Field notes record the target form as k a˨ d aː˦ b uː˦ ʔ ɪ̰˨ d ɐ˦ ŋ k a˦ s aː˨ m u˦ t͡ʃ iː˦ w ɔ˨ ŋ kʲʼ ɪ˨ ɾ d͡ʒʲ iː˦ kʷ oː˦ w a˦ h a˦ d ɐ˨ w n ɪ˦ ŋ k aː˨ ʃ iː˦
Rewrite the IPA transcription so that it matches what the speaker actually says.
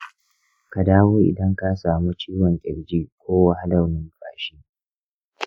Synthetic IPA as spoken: k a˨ d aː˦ w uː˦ ʔ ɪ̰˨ d ɐ˦ ŋ k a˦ s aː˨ m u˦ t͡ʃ iː˦ w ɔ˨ ŋ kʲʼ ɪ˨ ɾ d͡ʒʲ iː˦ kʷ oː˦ w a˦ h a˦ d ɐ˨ w n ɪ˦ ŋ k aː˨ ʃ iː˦